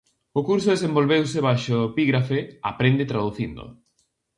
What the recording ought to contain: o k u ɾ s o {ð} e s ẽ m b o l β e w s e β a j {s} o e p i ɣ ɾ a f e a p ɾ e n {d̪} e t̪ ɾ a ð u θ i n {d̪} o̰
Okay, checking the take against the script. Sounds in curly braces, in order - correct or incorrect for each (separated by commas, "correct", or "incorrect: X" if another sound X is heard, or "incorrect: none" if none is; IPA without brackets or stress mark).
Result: correct, incorrect: ʃ, correct, correct